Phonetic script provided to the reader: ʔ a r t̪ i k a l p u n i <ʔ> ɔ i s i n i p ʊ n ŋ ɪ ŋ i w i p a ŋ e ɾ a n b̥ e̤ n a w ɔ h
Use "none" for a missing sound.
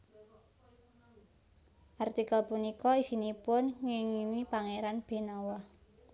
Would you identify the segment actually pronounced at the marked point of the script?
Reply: k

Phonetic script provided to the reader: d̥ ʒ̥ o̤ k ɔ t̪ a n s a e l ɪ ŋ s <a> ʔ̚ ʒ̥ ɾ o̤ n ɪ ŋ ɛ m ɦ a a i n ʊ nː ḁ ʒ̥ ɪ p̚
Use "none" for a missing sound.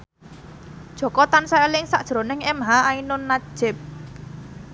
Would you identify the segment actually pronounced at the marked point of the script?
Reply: a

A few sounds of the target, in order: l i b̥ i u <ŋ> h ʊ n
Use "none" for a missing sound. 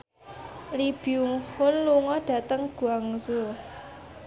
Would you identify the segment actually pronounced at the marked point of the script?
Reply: ŋ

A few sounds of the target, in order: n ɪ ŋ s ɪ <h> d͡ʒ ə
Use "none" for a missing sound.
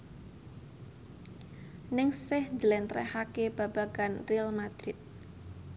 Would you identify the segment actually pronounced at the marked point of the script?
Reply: h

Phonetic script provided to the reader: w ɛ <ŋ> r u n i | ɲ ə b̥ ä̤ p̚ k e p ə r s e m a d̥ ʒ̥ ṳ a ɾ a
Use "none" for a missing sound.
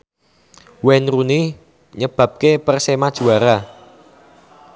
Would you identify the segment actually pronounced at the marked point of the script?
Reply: n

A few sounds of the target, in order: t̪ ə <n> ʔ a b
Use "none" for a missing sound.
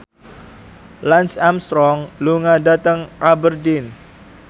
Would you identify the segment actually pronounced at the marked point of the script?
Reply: ŋ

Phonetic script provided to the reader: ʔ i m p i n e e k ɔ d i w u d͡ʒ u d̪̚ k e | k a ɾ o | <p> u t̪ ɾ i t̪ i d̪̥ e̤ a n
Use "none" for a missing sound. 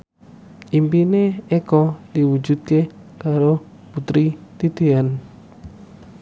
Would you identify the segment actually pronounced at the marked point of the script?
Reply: p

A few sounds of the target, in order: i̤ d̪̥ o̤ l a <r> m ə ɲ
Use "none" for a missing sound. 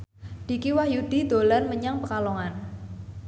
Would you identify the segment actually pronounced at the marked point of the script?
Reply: r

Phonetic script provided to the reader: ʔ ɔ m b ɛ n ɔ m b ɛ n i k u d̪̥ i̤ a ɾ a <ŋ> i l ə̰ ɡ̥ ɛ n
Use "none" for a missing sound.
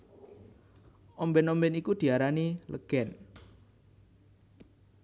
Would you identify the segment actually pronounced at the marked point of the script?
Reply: n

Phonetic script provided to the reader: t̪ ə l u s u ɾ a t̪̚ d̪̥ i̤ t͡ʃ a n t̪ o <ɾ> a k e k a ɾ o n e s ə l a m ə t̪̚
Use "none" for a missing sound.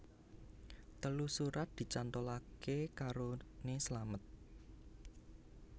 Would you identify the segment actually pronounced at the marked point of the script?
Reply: l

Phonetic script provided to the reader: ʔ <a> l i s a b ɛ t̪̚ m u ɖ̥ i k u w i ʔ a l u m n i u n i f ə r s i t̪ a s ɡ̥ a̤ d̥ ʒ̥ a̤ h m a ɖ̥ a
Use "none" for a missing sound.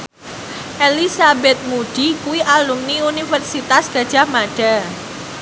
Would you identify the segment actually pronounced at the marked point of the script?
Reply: e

